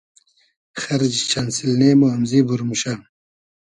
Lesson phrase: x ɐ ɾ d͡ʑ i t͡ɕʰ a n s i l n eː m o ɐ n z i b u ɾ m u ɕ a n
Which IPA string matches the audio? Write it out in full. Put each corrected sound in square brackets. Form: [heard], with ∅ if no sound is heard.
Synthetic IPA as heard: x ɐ ɾ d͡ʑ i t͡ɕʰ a n s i l n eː m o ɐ [m] z i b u ɾ m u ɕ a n